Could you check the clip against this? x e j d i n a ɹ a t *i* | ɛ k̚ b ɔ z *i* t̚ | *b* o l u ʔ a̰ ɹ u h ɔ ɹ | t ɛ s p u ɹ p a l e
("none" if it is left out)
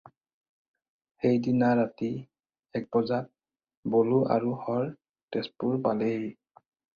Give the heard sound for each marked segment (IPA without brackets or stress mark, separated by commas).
i, a, b